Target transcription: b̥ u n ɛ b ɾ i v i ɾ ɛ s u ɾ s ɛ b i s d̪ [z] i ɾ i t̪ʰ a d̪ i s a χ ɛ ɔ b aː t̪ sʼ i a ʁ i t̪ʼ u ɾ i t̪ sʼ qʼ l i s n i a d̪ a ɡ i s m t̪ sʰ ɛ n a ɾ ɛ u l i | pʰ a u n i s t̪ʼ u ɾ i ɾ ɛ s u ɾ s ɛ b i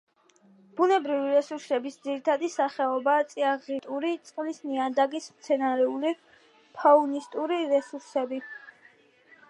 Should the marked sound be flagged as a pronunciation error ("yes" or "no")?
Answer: no